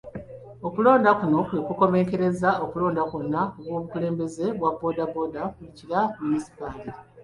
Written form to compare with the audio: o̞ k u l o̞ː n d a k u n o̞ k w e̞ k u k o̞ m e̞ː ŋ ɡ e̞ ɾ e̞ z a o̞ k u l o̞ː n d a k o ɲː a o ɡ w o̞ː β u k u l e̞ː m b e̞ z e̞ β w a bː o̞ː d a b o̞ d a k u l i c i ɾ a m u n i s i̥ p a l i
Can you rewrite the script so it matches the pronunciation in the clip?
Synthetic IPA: o̞ k u l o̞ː n d a k u n o̞ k w e̞ k u k o̞ m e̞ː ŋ k e̞ ɾ e̞ z a o̞ k u l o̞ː n d a k o nː a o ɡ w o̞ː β u k u l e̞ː m b e̞ z e̞ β w a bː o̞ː d a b o̞ d a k u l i c i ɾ a m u n i s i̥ p a l i

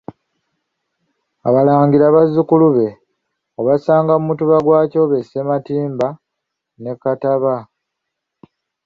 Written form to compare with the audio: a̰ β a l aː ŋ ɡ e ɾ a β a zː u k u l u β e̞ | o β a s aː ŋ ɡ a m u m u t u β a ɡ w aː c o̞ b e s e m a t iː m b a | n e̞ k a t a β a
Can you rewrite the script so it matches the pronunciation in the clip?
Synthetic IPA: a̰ β a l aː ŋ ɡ i ɾ a β a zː u k u l u β e̞ | o β a s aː ŋ ɡ a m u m u t u β a ɡ w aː c o̞ β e s e m a t iː m b a | n e̞ k a t a β a

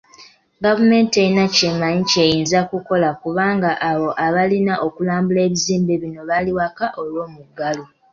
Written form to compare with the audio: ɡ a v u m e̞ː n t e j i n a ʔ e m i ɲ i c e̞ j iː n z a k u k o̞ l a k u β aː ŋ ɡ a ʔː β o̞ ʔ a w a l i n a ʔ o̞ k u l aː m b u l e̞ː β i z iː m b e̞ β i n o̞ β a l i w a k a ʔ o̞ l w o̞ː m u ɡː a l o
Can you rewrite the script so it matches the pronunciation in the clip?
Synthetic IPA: ɡ a v u m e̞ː n t e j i n a c e m a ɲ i c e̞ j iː n z a k u k o̞ l a k u β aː ŋ ɡ a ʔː β o̞ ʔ a β a l i n a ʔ o̞ k u l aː m b u l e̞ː β i z iː m b e̞ β i n o̞ β a l i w a k a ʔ o̞ l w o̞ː m u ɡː a l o

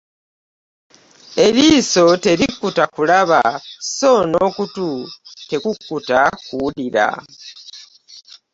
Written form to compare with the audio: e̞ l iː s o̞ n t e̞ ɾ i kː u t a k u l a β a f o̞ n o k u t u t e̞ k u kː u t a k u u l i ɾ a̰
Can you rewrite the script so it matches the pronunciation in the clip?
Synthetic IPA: e̞ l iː s o̞ t e̞ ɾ i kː u t a k u l a β a s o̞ n o k u t u t e̞ k u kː u t a k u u l i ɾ a̰

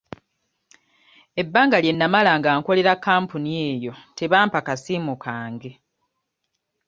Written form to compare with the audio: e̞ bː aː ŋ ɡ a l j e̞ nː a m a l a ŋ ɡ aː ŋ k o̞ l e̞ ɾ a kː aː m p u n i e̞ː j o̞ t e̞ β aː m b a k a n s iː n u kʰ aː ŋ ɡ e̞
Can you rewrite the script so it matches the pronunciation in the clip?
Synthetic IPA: e̞ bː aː ŋ ɡ a l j e̞ nː a m a l a ŋ ɡ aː ŋ k o̞ l e̞ ɾ a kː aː m p u n i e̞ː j o̞ t e̞ β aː m p a k a s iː m u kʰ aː ŋ ɡ e̞

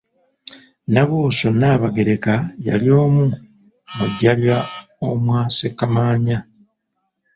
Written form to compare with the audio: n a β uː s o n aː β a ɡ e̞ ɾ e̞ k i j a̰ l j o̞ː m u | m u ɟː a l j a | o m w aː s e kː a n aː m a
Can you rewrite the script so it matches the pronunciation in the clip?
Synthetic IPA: n a β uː s o n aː β a ɡ e̞ ɾ e̞ k a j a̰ l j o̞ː m u | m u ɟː a l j a | o m w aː s e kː a m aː ɲ a

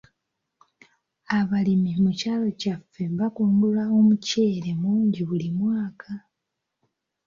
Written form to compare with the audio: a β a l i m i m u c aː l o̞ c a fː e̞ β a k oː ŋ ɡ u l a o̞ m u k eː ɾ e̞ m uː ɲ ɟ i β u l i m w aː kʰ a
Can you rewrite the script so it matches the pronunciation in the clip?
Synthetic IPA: a β a l i m i m u c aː l o̞ c a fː e̞ β a k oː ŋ ɡ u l a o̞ m u c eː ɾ e̞ m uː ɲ ɟ i β u l i m w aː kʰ a

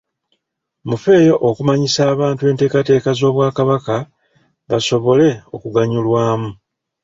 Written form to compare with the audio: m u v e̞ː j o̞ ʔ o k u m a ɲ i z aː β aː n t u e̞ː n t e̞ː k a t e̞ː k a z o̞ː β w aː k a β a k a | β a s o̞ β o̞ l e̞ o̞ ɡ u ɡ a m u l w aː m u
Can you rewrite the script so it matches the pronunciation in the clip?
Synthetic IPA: m u f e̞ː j o̞ ʔ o k u m a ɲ i s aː β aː n t u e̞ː n t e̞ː k a t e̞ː k a z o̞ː β w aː k a β a k a | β a s o̞ β o̞ l e̞ o̞ k u ɡ a ɲ u l w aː m u

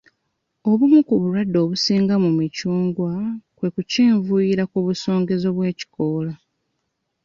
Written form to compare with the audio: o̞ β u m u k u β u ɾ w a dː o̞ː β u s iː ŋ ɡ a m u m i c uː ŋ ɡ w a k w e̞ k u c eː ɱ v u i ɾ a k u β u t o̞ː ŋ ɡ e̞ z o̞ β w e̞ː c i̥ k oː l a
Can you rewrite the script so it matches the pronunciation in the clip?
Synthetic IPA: o̞ β u m u k u β u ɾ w a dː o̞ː β u s iː ŋ ɡ a m u m i c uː ŋ ɡ w a k w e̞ k u c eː ɱ v u i ɾ a k u β u s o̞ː ŋ ɡ e̞ z o̞ β w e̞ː c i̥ k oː l a

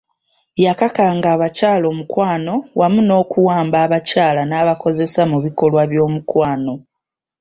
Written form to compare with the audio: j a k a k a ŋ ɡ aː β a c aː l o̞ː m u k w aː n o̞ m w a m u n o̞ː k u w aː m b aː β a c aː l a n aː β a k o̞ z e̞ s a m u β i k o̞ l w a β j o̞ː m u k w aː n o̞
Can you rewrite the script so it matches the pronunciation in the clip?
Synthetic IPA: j a k a k a ŋ ɡ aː β a c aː l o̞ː m u k w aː n o̞ w a m u n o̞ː k u w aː m b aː β a c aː l a n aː β a k o̞ z e̞ s a m u β i k o̞ l w a β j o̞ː m u k w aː n o̞

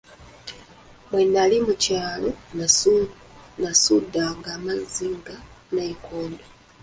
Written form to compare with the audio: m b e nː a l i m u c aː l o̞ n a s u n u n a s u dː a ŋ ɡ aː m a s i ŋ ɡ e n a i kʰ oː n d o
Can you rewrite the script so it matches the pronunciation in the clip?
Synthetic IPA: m w e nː a l i m u c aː l o̞ n a s u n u n a s u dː a ŋ ɡ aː m a z i ŋ ɡ a n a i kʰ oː n d o

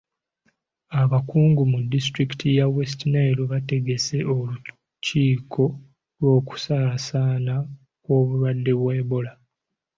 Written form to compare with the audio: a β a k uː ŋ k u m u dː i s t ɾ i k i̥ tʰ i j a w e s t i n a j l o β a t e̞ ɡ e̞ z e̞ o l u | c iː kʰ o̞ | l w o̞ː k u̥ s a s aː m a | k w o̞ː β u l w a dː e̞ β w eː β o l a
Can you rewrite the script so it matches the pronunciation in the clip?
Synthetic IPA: a β a k uː ŋ ɡ u m u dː i s t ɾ i k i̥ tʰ i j a w e s t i n a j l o β a t e̞ ɡ e̞ s e̞ o l u | c iː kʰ o̞ | l w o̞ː k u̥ s a s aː n a | k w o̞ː β u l w a dː e̞ β w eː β o l a

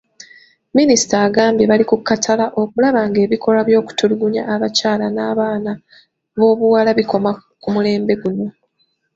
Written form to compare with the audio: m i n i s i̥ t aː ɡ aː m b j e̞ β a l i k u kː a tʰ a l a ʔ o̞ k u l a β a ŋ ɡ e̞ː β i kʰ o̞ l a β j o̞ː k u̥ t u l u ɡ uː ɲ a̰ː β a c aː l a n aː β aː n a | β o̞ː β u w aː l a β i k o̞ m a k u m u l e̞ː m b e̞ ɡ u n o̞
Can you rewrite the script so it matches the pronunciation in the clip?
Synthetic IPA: m i n i s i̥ t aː ɡ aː m b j e̞ β a l i k u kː a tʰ a l a ʔ o̞ k u l a β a ŋ ɡ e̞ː β i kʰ o̞ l a β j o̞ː k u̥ t u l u ɡ u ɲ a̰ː β a c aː l a n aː β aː n a | β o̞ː β u w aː l a β i k o̞ m a k u m u l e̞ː m b e̞ ɡ u n o̞

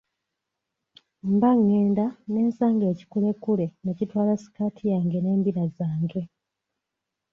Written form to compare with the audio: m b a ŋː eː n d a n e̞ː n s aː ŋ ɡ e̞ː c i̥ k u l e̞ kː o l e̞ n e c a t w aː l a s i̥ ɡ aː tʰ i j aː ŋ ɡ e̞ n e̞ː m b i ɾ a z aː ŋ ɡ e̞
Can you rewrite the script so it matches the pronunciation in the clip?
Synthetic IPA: m b a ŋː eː n d a n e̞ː n s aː ŋ ɡ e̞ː c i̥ k u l e̞ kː u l e̞ n e c i t w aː l a s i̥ k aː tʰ i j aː ŋ ɡ e̞ n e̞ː m b i ɾ a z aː ŋ ɡ e̞

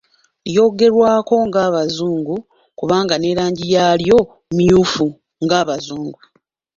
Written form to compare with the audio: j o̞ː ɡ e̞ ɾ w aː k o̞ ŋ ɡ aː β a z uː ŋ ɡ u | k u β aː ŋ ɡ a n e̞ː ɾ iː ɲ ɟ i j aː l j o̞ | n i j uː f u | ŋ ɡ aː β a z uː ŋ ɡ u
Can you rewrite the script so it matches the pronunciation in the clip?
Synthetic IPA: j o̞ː ɡ e̞ ɾ w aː k o̞ ŋ ɡ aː β a z uː ŋ ɡ u | k u β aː ŋ ɡ a n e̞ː ɾ aː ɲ ɟ i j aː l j o̞ | m i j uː f u | ŋ ɡ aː β a z uː ŋ ɡ u

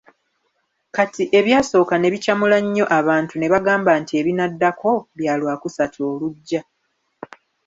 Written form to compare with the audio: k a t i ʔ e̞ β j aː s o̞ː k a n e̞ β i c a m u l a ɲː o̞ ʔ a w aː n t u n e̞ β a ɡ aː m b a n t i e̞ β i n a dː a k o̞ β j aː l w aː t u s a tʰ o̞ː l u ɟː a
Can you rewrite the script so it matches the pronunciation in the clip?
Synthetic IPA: k a t i ʔ e̞ β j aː s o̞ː k a n e̞ β i c a m u l a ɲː o̞ ʔ a β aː n t u n e̞ β a ɡ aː m b a n t i e̞ β i n a dː a k o̞ β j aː l w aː k u s a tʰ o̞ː l u ɟː a

